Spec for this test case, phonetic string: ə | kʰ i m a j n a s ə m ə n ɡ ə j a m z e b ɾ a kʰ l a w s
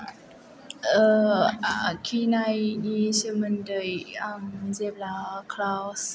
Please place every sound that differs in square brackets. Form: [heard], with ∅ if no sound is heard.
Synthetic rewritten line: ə | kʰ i [n] a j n [i] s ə m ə n [d] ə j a m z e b [l] a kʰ l a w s